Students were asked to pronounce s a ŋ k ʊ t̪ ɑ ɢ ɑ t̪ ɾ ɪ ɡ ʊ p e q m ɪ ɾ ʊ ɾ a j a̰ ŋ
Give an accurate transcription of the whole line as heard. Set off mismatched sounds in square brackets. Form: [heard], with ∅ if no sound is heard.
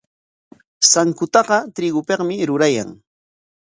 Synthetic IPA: s a ŋ k ʊ t̪ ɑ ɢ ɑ t̪ ɾ ɪ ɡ ʊ p e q m ɪ ɾ ʊ ɾ a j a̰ ŋ